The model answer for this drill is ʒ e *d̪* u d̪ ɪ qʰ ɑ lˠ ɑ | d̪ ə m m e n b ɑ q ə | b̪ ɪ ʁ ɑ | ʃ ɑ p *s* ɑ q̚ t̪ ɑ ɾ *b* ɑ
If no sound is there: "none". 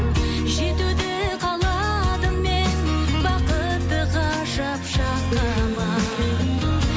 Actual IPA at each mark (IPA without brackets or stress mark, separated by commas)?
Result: t̪, ʃ, m